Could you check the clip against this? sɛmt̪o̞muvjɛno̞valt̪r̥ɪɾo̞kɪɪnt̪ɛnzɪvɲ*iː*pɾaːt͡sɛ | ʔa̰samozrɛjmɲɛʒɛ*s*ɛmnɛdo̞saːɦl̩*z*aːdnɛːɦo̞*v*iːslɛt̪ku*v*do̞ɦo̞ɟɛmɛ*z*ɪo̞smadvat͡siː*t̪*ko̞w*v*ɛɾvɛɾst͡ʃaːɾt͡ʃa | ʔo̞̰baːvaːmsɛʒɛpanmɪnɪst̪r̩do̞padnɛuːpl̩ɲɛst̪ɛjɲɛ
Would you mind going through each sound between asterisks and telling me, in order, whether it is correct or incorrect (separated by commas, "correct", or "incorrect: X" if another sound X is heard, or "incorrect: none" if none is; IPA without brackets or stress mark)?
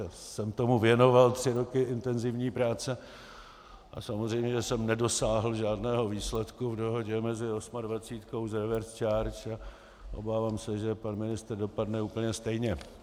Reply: correct, correct, incorrect: ʒ, correct, correct, correct, correct, incorrect: z